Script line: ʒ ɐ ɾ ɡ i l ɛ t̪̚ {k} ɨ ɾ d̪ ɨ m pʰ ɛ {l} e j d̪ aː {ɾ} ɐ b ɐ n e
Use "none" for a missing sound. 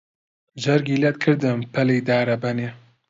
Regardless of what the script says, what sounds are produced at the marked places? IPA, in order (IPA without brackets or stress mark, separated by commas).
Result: kʰ, l, ɾ